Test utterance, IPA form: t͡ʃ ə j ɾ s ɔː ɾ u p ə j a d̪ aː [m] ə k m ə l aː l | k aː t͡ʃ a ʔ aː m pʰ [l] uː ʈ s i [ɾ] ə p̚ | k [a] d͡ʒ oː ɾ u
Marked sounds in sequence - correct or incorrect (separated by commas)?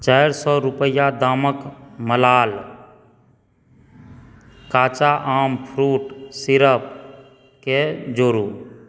correct, incorrect, correct, incorrect